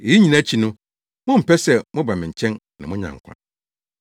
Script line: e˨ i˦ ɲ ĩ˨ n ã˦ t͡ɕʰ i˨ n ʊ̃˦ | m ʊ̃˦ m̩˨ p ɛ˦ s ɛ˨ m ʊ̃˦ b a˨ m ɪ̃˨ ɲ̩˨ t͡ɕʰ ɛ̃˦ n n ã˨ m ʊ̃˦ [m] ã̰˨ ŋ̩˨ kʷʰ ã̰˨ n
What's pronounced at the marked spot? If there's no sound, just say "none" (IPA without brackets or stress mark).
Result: ɲ